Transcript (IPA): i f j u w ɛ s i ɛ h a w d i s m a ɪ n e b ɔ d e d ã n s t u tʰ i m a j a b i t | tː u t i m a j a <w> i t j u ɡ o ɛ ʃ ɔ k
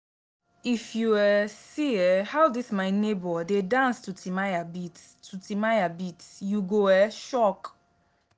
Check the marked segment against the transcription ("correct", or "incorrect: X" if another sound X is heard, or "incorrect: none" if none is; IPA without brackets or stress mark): incorrect: b